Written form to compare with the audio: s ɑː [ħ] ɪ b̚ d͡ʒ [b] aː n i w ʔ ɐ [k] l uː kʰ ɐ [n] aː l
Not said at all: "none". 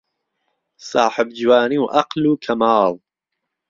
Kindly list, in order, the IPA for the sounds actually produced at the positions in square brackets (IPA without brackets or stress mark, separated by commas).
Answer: ħ, w, q, m